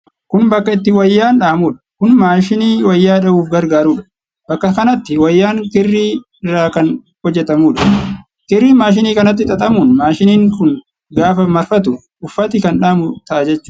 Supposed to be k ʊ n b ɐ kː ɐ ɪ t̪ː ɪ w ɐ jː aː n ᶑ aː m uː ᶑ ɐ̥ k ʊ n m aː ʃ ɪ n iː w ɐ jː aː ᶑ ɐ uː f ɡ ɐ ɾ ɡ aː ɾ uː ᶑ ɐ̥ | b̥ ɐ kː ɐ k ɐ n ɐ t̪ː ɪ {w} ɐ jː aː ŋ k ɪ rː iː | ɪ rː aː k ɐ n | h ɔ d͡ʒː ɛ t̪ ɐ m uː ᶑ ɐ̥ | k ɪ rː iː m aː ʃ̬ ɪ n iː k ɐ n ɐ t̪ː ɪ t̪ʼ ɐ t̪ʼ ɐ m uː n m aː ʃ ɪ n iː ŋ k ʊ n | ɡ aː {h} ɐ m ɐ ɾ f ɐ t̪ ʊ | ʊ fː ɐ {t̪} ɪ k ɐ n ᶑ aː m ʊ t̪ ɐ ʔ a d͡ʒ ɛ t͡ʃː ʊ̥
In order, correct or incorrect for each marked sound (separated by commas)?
correct, incorrect, correct